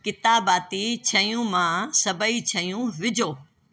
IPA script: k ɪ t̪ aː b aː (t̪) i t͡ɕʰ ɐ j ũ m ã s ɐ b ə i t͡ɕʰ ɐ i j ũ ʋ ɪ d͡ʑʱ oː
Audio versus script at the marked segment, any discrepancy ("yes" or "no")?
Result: no